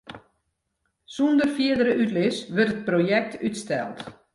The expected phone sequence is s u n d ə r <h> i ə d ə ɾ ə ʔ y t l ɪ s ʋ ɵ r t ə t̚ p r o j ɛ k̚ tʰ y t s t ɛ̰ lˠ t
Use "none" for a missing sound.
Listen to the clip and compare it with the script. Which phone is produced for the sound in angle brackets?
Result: f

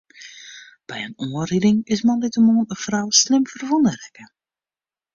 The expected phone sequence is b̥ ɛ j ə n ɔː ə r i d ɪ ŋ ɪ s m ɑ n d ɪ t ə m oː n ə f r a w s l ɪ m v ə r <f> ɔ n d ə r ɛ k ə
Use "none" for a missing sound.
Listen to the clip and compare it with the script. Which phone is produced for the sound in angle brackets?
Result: v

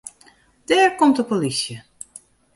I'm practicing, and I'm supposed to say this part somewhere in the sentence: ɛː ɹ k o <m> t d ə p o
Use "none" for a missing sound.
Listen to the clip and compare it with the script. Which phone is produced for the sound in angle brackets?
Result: m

